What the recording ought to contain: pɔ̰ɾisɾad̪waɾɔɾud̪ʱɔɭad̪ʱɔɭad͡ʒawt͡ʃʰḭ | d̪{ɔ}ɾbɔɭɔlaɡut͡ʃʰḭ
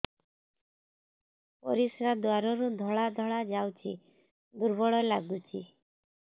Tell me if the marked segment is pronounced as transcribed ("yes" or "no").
no